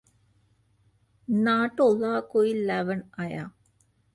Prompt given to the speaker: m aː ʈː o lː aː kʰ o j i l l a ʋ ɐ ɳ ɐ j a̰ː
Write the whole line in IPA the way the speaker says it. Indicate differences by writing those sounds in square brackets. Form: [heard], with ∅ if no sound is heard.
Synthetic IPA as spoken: [n] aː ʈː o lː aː [k] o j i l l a ʋ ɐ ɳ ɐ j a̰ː